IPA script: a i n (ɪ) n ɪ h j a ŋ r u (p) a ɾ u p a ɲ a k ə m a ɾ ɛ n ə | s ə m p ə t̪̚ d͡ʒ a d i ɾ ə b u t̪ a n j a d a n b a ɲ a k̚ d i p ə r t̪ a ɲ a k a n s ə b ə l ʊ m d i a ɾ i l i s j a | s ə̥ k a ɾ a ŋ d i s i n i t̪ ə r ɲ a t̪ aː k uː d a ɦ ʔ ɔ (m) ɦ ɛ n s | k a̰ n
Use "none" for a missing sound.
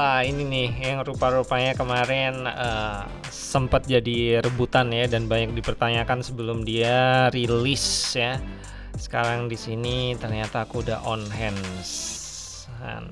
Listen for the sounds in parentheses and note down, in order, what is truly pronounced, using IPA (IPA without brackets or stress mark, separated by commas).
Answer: i, p, n